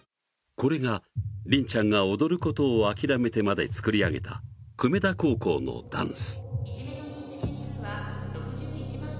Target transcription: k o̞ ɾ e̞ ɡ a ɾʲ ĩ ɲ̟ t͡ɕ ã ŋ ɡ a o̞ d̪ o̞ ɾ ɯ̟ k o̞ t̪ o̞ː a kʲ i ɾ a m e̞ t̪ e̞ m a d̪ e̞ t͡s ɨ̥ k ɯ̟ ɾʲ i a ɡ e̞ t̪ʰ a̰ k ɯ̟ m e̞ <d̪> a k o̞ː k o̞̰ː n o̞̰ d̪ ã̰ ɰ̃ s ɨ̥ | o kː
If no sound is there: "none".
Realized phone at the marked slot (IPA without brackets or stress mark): d̪